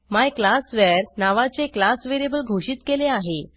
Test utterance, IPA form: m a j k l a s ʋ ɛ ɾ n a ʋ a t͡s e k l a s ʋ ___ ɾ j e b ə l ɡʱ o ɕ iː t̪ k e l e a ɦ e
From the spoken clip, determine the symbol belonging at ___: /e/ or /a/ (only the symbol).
e